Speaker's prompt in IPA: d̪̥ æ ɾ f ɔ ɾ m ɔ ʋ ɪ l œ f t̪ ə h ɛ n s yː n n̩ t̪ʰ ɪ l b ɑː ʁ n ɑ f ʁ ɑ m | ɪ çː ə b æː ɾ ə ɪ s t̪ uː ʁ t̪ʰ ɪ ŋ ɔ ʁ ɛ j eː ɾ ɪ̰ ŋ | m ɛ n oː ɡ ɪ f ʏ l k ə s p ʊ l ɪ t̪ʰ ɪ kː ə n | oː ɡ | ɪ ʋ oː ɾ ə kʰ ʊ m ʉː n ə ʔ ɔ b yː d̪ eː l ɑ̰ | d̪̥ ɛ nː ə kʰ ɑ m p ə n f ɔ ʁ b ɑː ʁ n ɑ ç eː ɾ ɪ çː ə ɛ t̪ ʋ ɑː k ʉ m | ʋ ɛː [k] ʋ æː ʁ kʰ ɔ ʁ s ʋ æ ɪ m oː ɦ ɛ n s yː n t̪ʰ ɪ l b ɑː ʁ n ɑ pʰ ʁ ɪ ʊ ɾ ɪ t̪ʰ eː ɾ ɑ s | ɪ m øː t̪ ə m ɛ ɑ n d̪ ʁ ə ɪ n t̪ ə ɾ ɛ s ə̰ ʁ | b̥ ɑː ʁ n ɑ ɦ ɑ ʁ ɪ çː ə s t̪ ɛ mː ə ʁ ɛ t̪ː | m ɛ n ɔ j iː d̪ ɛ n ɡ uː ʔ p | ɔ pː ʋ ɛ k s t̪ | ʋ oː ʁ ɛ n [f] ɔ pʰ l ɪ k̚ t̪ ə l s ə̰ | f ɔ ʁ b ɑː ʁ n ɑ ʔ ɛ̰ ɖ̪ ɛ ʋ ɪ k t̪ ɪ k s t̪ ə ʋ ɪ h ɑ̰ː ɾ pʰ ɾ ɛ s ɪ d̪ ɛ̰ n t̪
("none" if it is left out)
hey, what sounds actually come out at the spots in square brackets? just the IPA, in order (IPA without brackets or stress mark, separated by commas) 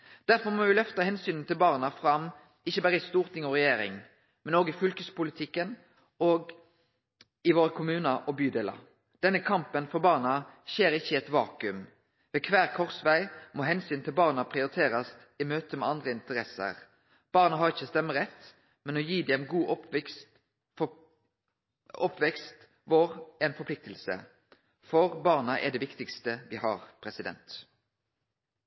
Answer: kʰ, f